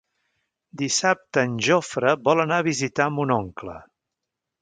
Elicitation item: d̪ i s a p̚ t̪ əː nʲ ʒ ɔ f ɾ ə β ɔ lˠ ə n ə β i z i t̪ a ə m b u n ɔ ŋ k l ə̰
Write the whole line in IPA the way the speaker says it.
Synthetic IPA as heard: d̪ i s a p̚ t̪ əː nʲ ʒ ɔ f ɾ ə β ɔ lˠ ə n a β i z i t̪ a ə m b u n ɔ ŋ k l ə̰